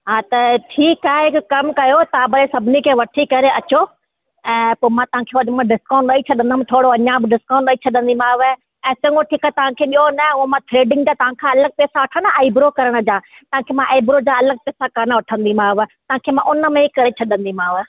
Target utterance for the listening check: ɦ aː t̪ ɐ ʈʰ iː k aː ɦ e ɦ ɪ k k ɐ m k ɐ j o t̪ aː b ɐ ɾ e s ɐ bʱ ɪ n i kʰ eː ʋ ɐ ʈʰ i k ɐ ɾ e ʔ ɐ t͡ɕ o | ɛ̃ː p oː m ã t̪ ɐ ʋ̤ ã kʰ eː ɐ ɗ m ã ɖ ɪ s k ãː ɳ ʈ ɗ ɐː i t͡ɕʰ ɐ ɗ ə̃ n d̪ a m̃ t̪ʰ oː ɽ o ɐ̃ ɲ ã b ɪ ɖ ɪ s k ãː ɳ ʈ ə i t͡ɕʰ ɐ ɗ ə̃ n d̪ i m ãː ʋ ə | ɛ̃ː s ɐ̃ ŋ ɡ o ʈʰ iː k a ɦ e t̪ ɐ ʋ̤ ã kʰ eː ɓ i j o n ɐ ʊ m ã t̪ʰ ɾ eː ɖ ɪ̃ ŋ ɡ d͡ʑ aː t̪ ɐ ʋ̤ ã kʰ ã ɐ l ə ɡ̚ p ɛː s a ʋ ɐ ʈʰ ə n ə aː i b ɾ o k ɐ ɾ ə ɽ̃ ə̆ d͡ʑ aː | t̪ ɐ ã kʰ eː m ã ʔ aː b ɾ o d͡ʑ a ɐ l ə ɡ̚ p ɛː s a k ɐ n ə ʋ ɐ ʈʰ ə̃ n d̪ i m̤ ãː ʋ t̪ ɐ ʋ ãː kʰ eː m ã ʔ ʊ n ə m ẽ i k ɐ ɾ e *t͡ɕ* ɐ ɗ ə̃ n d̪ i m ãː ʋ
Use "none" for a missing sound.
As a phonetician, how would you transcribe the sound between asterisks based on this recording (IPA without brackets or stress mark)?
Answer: t͡ɕʰ